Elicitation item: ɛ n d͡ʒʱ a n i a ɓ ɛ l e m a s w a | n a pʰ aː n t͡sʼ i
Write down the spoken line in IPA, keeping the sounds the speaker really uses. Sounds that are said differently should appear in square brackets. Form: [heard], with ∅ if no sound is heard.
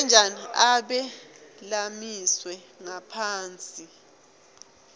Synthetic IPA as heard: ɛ n d͡ʒʱ a n i a ɓ ɛ l [a] m [i] s w [ɛ] | [ŋ] a pʰ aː n t͡sʼ i